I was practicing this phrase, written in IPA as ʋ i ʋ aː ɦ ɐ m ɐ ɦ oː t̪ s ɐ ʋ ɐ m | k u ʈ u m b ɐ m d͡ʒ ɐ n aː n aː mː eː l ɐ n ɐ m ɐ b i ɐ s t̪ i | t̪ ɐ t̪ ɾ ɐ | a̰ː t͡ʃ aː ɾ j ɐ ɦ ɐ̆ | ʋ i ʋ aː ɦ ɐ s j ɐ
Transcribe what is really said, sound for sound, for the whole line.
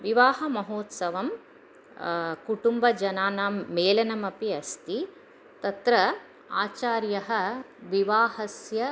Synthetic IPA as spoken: ʋ i ʋ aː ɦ ɐ m ɐ ɦ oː t̪ s ɐ ʋ ɐ m | k u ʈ u m b ɐ d͡ʒ ɐ n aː n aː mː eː l ɐ n ɐ m ɐ p i ɐ s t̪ i | t̪ ɐ t̪ ɾ ɐ | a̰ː t͡ʃ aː ɾ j ɐ ɦ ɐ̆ | ʋ i ʋ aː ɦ ɐ s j ɐ